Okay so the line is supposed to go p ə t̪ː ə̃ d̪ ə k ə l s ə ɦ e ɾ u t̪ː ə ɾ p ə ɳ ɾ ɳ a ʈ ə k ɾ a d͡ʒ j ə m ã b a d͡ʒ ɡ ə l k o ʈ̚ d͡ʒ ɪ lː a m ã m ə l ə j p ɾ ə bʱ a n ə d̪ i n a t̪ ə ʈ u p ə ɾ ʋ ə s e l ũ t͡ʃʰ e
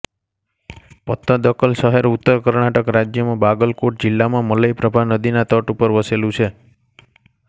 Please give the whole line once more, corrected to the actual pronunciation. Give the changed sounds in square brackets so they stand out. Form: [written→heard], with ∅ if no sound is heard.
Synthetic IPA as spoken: p ə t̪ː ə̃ d̪ ə k ə l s ə ɦ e ɾ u t̪ː ə ɾ [p→k] ə [ɳ→∅] ɾ ɳ a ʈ ə k ɾ a d͡ʒ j ə m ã b a [d͡ʒ→∅] ɡ ə l k o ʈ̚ d͡ʒ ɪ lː a m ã m ə l ə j p ɾ ə bʱ a n ə d̪ i n a t̪ ə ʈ u p ə ɾ ʋ ə s e l ũ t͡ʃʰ e